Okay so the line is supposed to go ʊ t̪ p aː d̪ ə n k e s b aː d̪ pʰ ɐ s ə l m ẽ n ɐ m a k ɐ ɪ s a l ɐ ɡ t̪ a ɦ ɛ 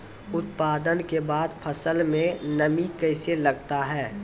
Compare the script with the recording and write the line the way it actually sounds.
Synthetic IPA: ʊ t̪ p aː d̪ ə n k e b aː d̪ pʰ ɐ s ə l m ẽ n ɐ m i k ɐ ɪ s e l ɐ ɡ t̪ a ɦ ɛː

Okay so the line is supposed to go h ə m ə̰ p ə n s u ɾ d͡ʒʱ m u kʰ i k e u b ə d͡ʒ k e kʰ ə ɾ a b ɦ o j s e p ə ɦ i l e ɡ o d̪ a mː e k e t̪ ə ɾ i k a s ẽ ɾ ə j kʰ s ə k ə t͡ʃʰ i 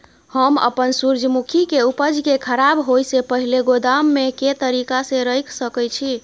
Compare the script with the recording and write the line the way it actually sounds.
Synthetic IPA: h ə m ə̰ p ə n s u ɾ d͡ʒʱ m u kʰ i k e u p ə d͡ʒ k e kʰ ə ɾ a b ɦ o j s e p ə ɦ i l e ɡ o d̪ a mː e k e t̪ ə ɾ i k a s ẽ ɾ ə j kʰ s ə k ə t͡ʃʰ i

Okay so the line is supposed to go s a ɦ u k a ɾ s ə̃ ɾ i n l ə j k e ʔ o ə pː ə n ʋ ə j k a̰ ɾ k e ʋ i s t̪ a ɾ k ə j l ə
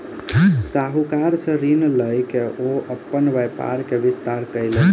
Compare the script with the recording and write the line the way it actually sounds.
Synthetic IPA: s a ɦ u k a ɾ s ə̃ ɾ i n l ə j k e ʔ o ə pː ə n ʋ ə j p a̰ ɾ k e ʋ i s t̪ a ɾ k ə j l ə

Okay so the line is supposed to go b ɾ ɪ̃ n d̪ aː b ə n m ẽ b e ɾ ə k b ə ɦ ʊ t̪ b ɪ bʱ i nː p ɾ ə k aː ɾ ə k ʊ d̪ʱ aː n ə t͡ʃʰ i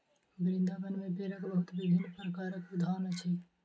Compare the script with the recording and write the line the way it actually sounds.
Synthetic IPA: b ɾ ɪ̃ n d̪ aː b ə n m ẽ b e ɾ ə k b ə ɦ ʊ t̪ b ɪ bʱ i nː p ɾ ə k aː ɾ ə k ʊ d̪ʱ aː n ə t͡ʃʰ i

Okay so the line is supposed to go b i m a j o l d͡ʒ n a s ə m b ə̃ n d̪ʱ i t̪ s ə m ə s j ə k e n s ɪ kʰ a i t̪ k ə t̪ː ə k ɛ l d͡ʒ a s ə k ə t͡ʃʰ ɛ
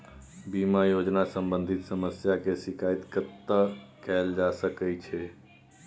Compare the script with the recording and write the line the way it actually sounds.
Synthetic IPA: b i m a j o d͡ʒ n a s ə m b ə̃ n d̪ʱ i t̪ s ə m ə s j a k e s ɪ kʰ a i t̪ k ə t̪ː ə k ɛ l d͡ʒ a s ə k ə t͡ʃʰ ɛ

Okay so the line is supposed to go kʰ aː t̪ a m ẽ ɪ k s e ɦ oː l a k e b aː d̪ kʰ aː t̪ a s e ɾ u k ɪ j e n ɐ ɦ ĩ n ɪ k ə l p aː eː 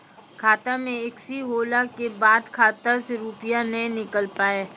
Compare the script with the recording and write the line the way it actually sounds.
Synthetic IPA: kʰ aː t̪ a m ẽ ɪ k s i ɦ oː l a k e b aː d̪ kʰ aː t̪ a s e ɾ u p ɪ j a n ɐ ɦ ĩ n ɪ k ə l p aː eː

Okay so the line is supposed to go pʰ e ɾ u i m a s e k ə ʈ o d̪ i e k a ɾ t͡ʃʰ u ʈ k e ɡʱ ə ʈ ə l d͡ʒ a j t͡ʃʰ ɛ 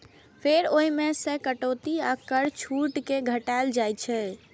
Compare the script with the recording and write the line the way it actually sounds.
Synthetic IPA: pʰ e ɾ o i m e s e k ə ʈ o t̪ i a k ə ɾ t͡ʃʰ u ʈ k e ɡʱ ə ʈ a l d͡ʒ a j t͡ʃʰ ɛ

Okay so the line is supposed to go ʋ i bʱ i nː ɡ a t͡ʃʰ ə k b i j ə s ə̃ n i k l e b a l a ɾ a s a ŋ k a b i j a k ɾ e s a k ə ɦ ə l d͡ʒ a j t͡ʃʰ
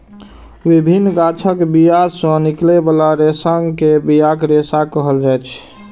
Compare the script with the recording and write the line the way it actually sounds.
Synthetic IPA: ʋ i bʱ i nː ɡ a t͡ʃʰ ə k b i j a s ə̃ n i k l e b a l a ɾ e s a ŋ k e b i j a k ɾ e s a k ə ɦ ə l d͡ʒ a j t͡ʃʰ

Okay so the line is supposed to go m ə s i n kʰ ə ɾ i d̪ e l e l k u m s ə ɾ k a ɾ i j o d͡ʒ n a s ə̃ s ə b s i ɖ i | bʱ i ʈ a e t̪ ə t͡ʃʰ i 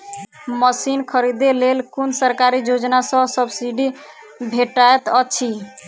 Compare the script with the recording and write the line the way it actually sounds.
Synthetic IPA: m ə s i n kʰ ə ɾ i d̪ e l e l k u n s ə ɾ k a ɾ i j o d͡ʒ n a s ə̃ s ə b s i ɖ i | bʱ e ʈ a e t̪ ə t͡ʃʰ i

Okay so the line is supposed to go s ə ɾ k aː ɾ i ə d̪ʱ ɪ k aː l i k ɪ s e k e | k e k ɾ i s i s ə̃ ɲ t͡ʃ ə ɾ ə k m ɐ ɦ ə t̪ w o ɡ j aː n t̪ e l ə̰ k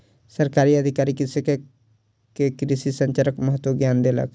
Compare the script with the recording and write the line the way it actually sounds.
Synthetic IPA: s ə ɾ k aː ɾ i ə d̪ʱ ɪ k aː ɾ i k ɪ s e k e | k e k ɾ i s i s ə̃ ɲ t͡ʃ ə ɾ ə k m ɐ ɦ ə t̪ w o ɡ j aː n d̪ e l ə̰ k

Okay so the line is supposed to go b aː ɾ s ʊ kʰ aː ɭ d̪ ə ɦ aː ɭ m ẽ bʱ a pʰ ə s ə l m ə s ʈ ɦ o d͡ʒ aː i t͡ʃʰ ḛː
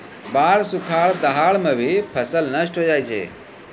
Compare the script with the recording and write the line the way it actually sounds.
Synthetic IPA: b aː ɾ s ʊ kʰ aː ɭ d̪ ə ɦ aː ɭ m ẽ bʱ i pʰ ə s ə l n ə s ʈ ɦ o d͡ʒ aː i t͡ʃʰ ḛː

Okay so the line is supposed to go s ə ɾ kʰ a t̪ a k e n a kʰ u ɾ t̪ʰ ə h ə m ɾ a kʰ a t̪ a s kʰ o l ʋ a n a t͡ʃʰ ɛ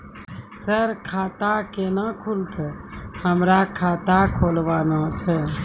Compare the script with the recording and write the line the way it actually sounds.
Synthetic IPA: s ə ɾ kʰ a t̪ a k e n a kʰ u l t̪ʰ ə h ə m ɾ a kʰ a t̪ a kʰ o l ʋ a n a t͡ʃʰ ɛ

